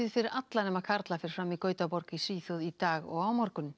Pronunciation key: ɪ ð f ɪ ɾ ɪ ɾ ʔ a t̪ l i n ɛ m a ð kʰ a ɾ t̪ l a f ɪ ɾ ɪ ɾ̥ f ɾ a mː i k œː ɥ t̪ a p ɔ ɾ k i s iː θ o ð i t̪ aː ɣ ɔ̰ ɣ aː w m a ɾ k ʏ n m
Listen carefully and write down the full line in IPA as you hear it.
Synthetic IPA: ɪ ð f ɪ ɾ ɪ ɾ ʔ a t̪ l a n ɛ m a ð kʰ a ɾ t̪ l a f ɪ ɾ ɪ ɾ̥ f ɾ a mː i k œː ɥ t̪ a p ɔ ɾ k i s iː θ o ð i t̪ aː ɣ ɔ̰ ɣ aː w m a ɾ k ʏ n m